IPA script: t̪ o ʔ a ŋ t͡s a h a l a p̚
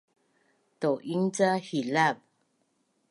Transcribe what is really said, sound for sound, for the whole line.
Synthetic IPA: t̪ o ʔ i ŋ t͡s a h i l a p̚